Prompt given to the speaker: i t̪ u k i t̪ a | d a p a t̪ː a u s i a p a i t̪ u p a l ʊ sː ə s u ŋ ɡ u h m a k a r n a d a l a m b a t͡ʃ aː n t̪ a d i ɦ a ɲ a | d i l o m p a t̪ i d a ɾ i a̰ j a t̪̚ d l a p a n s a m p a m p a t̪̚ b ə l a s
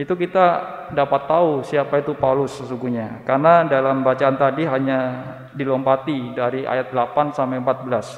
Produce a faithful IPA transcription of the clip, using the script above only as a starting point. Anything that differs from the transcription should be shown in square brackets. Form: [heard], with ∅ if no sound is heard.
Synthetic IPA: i t̪ u k i t̪ a | d a p a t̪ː a u s i a p a i t̪ u p a l ʊ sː ə s u ŋ ɡ u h [ɲ] a k a r n a d a l a m b a t͡ʃ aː n t̪ a d i ɦ a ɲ a | d i l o m p a t̪ i d a ɾ i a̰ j a t̪̚ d l a p a n s a m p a m p a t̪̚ b ə l a s